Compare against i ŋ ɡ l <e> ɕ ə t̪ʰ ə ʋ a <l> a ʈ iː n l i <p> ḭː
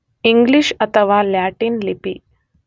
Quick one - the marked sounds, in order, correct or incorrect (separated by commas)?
incorrect, correct, correct